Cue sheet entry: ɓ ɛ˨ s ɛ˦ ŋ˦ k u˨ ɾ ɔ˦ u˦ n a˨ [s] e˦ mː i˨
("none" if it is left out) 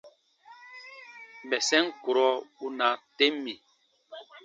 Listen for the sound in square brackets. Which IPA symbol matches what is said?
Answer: t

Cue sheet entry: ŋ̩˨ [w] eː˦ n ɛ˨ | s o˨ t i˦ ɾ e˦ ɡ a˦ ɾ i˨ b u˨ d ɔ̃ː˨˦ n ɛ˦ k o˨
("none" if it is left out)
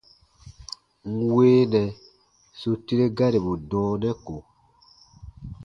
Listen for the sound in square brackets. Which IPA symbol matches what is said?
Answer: w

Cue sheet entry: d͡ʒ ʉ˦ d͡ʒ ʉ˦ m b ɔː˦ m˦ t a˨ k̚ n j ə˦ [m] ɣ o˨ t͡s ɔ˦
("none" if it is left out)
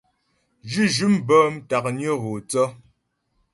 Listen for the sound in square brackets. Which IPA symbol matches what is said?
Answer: none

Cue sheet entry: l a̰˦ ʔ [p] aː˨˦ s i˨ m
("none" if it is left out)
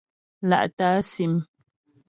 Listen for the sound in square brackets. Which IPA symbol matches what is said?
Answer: t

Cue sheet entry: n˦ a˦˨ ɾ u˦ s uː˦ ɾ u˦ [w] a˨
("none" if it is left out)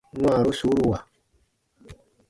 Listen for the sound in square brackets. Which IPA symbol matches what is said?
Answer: w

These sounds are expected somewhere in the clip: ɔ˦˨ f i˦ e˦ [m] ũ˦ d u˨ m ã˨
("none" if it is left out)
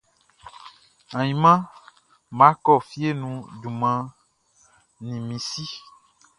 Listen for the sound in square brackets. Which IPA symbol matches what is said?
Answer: n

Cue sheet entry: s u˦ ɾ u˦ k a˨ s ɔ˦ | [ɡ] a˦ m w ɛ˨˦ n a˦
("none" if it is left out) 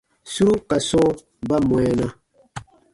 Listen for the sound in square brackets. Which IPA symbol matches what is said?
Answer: b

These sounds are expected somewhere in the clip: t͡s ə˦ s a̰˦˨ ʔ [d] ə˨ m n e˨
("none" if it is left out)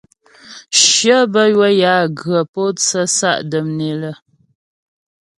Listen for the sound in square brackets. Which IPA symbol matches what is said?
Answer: d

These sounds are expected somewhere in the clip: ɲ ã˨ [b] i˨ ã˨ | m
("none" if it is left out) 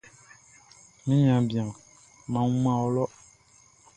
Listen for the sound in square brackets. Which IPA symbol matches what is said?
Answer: b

